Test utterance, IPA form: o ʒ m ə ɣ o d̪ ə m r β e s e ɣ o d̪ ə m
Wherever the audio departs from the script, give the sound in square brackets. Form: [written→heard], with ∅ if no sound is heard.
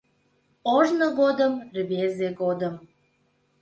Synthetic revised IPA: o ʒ [m→n] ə ɣ o d̪ ə m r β e [s→z] e ɣ o d̪ ə m